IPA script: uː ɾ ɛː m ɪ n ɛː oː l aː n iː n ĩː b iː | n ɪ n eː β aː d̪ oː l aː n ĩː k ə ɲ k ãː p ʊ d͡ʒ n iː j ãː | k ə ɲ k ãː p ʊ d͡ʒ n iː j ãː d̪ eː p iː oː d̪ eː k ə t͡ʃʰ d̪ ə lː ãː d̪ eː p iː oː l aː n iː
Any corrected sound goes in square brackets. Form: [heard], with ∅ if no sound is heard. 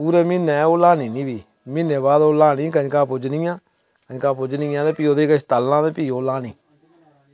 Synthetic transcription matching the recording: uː ɾ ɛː m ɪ n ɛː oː l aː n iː n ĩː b iː | [m] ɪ n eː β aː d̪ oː l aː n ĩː k ə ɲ k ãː p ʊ d͡ʒ n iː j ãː | k ə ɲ k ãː p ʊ d͡ʒ n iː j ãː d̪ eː p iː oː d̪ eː k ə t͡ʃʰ [t̪] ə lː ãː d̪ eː p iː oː l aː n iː